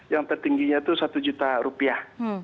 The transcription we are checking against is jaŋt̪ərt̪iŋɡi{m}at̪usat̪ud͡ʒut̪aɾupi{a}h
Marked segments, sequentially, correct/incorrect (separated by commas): incorrect, correct